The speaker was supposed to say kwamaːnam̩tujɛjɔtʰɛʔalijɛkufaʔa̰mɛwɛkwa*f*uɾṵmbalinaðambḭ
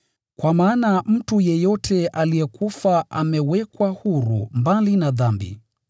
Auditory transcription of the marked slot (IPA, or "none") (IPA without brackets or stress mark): h